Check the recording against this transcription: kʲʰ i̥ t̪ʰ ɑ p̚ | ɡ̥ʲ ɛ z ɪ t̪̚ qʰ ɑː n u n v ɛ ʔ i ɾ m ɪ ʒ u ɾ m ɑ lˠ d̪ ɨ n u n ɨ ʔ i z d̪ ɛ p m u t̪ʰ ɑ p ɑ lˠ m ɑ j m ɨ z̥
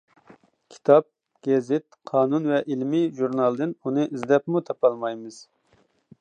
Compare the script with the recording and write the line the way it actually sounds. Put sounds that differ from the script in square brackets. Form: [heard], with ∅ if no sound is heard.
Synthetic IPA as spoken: kʲʰ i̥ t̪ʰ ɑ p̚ | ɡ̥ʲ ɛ z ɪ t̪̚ qʰ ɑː n u n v ɛ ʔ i [l] m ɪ ʒ u ɾ [n] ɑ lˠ d̪ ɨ n u n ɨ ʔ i z d̪ ɛ p m u t̪ʰ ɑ p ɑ lˠ m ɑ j m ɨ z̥